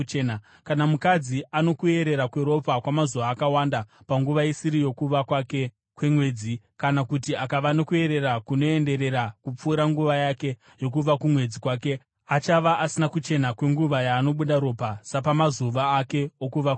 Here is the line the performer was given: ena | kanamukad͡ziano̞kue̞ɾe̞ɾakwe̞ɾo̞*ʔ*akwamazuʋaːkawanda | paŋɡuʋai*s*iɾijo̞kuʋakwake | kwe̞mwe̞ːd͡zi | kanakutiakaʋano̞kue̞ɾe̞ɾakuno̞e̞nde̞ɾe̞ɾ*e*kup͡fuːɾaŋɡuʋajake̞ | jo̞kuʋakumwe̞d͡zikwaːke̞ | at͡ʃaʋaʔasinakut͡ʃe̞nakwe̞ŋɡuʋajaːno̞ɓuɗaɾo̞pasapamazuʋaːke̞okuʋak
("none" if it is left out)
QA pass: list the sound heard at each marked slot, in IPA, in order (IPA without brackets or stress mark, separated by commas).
p, s, a